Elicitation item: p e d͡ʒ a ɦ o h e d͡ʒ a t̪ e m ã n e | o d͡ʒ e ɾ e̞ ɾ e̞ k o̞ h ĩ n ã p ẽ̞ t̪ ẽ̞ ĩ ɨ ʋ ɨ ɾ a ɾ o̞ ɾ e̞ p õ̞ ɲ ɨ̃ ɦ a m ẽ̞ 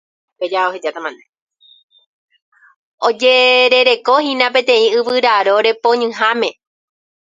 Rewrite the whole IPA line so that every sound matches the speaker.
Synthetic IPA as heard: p e d͡ʒ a o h e d͡ʒ a t̪ a m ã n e | o d͡ʒ e ɾ e̞ ɾ e̞ k o̞ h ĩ n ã p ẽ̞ t̪ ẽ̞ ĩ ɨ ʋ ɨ ɾ a ɾ o̞ ɾ e̞ p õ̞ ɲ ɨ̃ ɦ a m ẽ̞